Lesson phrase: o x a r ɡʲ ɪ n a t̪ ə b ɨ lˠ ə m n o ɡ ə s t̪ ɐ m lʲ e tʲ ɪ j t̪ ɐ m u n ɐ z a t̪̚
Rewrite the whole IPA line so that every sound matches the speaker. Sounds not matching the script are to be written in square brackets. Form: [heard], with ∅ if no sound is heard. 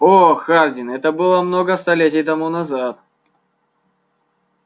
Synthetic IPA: o x a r [dʲ] ɪ n [ɛ] t̪ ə b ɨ lˠ ə m n o ɡ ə s t̪ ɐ [∅] lʲ e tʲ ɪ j t̪ ɐ m u n ɐ z a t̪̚